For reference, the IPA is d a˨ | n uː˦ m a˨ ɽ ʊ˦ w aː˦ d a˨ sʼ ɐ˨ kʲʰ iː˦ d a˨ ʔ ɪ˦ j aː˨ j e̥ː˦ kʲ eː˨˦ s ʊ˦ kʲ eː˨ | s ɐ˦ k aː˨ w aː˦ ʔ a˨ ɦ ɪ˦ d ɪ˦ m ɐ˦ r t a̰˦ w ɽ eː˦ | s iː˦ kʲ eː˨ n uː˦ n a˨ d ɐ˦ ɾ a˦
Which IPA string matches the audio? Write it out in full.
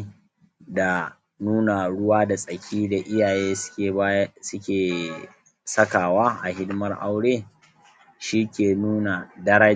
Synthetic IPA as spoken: d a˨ | n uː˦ n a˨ ɽ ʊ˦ w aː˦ d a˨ sʼ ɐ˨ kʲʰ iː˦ d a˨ ʔ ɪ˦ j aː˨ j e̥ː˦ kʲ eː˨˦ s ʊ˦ kʲ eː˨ | s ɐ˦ k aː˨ w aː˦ ʔ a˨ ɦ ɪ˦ d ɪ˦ m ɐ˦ r ʔ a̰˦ w ɽ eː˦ | ʃ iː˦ kʲ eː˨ n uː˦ n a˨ d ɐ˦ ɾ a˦

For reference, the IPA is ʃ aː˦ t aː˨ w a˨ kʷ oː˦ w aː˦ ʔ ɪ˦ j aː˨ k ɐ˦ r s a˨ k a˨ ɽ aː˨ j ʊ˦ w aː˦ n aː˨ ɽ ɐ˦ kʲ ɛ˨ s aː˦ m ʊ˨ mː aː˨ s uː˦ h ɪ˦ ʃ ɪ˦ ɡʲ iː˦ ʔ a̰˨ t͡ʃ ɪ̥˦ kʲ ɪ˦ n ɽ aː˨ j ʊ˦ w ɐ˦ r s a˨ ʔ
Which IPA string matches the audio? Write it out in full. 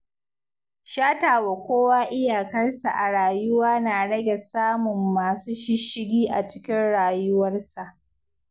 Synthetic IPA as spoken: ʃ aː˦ t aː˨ w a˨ kʷ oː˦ w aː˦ ʔ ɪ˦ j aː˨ k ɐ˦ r s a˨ ʔ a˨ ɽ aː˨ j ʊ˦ w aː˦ n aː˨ ɽ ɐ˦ ɡʲ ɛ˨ s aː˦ m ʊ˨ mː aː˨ s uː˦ ʃ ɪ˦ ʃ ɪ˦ ɡʲ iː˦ ʔ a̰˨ t͡ʃ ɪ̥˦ kʲ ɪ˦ n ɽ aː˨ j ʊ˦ w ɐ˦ r s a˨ ʔ

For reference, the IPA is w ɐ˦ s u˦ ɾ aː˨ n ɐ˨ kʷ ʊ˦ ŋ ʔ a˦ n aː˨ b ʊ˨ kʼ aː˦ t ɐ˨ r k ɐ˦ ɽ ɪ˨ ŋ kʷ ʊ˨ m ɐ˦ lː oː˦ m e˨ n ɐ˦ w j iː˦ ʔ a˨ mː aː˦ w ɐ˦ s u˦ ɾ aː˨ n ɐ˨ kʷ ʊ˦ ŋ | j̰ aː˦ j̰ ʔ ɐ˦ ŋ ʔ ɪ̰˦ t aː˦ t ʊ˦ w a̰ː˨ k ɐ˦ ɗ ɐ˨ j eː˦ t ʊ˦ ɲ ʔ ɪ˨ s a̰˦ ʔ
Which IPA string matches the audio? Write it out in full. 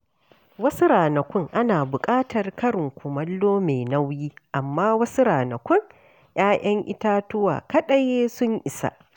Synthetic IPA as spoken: w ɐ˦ s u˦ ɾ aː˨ n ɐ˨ kʷ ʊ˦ ŋ ʔ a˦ n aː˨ b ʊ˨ kʼ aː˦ t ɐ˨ r k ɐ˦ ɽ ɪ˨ ŋ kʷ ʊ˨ m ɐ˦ lː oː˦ m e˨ n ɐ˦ w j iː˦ ʔ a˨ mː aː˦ w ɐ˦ s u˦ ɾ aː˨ n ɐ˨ kʷ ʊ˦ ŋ | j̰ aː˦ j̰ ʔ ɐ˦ ŋ ʔ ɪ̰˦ t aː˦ t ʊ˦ w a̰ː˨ k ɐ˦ ɗ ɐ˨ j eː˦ s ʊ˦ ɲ ʔ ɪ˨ s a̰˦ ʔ

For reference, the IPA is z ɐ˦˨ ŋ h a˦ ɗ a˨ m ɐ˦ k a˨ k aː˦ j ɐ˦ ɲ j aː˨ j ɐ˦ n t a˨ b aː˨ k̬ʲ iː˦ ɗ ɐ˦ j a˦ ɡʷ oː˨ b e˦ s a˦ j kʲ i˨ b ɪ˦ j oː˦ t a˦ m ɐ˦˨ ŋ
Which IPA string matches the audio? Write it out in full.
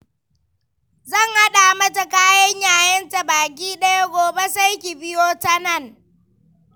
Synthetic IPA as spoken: z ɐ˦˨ ŋ h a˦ ɗ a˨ m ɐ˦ t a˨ k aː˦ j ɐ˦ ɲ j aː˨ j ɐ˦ n t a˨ b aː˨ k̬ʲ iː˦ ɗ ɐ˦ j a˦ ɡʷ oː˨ b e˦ s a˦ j kʲ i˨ b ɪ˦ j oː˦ t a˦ n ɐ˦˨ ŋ

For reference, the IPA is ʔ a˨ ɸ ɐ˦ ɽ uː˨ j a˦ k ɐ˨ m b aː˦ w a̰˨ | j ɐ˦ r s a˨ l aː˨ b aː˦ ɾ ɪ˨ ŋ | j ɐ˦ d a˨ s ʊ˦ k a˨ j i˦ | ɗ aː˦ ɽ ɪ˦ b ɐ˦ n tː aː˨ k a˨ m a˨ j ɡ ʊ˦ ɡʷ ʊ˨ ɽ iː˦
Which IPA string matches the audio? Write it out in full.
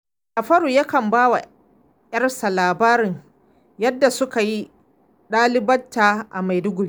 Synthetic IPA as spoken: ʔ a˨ ɸ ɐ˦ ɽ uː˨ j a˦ k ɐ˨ m b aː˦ w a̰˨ | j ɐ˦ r s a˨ l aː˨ b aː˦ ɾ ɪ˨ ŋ | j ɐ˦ dː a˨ s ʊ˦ k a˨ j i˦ | ɗ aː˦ l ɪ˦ b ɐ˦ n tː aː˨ ʔ a˨ m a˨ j d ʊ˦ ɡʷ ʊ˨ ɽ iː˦

